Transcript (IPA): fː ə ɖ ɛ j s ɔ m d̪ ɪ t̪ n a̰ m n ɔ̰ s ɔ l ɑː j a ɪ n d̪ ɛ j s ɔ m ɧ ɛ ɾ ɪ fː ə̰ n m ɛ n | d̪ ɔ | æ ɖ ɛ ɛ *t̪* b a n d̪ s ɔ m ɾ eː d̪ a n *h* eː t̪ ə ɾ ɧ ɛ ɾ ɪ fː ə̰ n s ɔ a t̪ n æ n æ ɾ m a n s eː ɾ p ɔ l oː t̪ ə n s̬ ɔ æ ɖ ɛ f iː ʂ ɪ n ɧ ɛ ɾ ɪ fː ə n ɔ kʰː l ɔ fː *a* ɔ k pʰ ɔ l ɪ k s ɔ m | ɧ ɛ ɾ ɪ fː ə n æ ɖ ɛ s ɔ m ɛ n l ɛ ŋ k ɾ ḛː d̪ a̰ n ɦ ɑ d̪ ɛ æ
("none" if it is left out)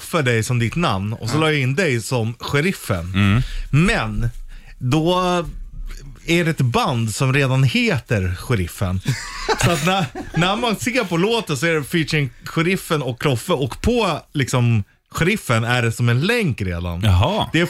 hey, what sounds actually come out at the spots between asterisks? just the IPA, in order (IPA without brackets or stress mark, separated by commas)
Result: t̪, h, ə